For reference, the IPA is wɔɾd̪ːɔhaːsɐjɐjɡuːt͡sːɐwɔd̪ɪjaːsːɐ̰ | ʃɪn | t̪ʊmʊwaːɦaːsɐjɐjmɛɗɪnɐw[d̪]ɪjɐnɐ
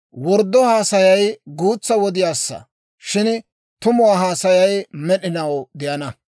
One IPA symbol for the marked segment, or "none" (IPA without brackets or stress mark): d̪